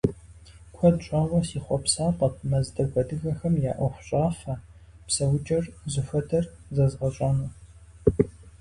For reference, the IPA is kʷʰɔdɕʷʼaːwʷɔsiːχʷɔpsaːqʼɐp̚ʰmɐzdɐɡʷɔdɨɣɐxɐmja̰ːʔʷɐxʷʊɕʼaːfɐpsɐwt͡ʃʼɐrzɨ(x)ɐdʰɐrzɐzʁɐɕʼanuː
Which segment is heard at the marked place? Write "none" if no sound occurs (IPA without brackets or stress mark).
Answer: f